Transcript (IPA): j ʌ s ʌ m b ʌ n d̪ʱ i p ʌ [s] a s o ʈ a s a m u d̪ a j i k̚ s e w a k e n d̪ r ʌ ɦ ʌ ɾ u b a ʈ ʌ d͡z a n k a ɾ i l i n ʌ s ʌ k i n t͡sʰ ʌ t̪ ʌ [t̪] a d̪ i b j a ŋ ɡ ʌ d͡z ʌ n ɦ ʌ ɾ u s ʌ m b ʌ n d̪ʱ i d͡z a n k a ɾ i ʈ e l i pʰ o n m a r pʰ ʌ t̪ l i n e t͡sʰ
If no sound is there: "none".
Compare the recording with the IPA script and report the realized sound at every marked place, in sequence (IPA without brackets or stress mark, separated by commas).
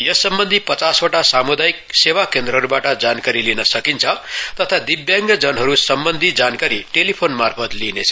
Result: t͡s, t̪ʰ